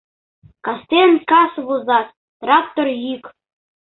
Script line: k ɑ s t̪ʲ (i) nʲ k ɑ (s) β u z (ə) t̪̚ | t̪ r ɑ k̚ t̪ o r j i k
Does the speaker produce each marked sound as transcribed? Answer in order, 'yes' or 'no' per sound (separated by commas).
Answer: no, yes, no